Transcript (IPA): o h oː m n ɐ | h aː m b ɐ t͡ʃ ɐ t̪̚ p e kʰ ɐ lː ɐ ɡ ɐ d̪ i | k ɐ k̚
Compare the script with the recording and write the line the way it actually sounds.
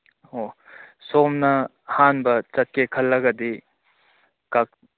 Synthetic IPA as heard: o s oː m n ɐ | h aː n b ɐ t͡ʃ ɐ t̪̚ k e kʰ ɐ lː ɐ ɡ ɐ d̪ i | k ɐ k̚